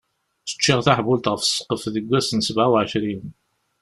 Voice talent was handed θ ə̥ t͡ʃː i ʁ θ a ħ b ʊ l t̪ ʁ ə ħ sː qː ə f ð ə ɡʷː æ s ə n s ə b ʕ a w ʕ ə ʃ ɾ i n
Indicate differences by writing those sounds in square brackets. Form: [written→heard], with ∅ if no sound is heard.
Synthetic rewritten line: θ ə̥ t͡ʃː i ʁ θ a ħ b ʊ l t̪ ʁ ə [ħ→f] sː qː ə f ð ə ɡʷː æ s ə n s ə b ʕ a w ʕ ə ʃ ɾ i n